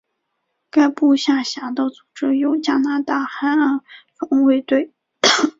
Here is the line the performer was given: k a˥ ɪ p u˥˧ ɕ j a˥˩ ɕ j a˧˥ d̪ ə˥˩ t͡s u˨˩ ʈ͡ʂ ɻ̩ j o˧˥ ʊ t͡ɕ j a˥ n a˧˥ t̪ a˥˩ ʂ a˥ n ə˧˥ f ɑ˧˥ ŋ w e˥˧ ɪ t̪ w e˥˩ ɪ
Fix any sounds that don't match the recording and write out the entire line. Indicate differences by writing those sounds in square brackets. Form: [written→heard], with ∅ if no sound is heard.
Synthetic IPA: k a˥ ɪ p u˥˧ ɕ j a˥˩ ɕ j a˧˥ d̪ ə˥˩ t͡s u˨˩ ʈ͡ʂ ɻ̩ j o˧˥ ʊ t͡ɕ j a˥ n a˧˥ t̪ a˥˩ [ʂ→x] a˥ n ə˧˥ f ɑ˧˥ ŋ w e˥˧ ɪ t̪ w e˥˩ ɪ